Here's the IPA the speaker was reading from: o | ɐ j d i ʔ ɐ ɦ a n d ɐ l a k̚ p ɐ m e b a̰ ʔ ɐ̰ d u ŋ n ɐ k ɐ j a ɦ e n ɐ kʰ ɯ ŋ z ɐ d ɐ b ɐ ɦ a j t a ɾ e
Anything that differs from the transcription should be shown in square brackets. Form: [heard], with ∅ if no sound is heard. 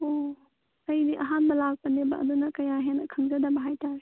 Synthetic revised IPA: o | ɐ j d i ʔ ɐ ɦ a n [b] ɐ l a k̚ p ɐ [n] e b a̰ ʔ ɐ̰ d u [∅] n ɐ k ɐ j a ɦ e n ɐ kʰ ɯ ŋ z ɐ d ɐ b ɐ ɦ a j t a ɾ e